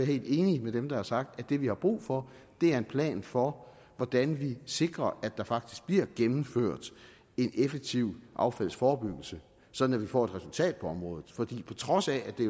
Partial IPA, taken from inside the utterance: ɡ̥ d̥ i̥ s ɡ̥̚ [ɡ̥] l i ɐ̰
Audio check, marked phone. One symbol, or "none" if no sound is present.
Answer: b̥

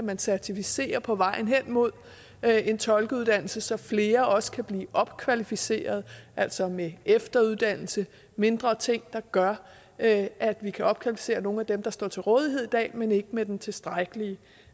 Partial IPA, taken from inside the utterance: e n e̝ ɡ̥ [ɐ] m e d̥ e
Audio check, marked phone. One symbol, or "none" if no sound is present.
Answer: ə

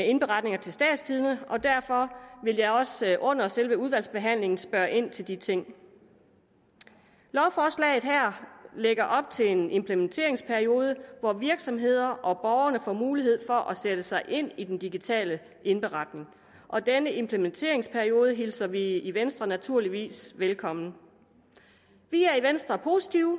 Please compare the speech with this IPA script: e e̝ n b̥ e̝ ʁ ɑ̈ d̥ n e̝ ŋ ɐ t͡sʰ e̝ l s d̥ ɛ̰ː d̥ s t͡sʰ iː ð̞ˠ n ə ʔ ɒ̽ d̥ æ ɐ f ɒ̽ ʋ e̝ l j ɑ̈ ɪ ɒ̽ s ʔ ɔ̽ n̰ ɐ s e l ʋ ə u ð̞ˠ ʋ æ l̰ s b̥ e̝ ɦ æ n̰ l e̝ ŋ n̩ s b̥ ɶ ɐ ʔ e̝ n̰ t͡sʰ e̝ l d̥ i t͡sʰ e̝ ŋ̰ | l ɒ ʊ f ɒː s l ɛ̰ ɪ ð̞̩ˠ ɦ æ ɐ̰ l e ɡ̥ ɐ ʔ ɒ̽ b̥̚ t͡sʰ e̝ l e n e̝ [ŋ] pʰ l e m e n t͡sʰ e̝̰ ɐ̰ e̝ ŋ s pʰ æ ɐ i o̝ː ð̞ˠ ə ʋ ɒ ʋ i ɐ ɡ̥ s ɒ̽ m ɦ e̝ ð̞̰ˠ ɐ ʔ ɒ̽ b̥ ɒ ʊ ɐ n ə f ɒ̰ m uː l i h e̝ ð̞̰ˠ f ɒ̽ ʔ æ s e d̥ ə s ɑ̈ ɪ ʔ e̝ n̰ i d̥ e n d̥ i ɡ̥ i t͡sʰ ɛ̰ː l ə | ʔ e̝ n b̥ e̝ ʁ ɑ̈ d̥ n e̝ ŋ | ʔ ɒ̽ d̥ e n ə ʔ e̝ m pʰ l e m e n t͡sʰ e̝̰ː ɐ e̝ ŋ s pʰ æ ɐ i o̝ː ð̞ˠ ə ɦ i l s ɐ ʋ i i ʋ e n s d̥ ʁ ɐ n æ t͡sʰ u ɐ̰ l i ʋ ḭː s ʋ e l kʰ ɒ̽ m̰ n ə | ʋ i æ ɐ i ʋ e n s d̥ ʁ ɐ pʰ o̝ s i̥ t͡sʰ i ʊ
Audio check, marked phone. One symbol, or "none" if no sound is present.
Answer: m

